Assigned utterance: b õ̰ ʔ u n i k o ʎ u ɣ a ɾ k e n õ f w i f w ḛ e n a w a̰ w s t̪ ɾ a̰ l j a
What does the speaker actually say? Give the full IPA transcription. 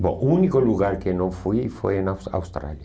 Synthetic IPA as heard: b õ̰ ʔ u n i k o l u ɣ a ɾ k e n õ f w i f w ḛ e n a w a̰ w s t̪ ɾ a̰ l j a